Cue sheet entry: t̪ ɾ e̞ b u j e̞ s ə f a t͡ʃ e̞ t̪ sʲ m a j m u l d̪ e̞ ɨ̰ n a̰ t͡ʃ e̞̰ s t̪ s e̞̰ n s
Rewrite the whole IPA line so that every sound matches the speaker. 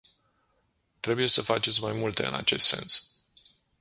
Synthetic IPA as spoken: t̪ ɾ e̞ b u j e̞ s ə f a t͡ʃ e̞ t̪ sʲ m a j m u l t̪ e̞ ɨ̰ n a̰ t͡ʃ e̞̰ s t̪ s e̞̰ n s